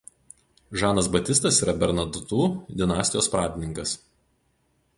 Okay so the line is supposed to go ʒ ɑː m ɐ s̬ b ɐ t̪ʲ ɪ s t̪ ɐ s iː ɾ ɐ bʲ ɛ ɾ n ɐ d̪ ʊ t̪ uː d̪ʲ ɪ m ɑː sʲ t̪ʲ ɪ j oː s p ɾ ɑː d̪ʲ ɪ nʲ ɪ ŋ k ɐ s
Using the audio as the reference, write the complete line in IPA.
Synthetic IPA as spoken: ʒ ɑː n ɐ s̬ b ɐ t̪ʲ ɪ s t̪ ɐ s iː ɾ ɐ bʲ ɛ ɾ n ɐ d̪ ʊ t̪ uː d̪ʲ ɪ n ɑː sʲ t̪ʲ ɪ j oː s p ɾ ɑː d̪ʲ ɪ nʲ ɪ ŋ k ɐ s